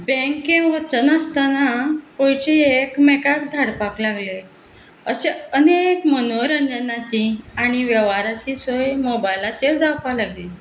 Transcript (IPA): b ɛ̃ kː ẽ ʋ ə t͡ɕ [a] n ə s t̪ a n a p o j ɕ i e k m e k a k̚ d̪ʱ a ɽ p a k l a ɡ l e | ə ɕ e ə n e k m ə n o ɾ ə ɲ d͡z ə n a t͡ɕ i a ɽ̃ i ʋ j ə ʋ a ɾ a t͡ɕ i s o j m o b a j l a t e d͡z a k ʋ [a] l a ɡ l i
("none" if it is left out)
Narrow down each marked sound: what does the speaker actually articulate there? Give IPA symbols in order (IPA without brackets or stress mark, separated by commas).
ə, a